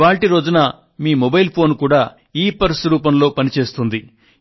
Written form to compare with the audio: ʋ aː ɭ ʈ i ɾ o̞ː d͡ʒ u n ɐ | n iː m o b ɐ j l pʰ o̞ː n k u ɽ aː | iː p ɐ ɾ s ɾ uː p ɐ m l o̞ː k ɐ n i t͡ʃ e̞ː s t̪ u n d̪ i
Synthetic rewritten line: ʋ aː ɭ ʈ i ɾ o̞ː d͡ʒ u n ɐ | m iː m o b ɐ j l pʰ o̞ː n k uː ɽ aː | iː p ɐ ɾ s ɾ uː p ɐ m l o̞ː p ɐ n i t͡ʃ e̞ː s t̪ u n d̪ i